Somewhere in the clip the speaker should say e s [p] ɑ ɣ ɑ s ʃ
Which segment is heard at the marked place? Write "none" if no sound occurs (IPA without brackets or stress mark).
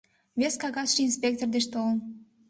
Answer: k